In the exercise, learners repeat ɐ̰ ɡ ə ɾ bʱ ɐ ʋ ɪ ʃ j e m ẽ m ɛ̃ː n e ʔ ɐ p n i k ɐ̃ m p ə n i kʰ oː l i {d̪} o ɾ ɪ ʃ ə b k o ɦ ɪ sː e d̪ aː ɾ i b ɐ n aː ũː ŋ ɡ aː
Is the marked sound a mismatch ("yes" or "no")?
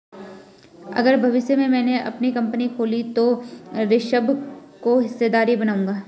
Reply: yes